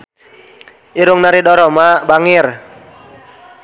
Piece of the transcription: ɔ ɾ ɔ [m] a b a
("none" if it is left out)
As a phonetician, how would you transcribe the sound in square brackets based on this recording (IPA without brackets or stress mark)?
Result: m